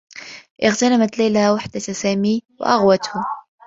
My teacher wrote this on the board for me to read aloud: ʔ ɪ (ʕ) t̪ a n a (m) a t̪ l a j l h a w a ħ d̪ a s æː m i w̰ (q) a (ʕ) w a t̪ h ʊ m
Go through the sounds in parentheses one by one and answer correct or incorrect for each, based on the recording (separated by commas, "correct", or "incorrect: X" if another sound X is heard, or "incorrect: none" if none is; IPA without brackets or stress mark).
incorrect: ɣ, correct, incorrect: ʔ, incorrect: ɣ